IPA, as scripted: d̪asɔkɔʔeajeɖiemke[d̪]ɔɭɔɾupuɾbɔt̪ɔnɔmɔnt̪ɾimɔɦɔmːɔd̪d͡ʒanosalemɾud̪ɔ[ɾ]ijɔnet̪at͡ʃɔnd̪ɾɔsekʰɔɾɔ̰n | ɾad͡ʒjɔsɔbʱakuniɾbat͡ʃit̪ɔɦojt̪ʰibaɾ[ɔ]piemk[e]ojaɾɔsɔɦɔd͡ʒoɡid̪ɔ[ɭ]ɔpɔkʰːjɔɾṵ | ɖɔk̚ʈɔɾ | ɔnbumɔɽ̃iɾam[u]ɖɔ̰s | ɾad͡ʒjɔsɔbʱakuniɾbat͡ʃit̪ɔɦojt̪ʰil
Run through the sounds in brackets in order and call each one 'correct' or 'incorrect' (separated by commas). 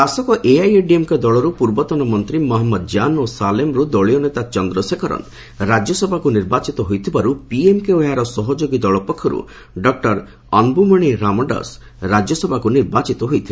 correct, incorrect, incorrect, correct, correct, incorrect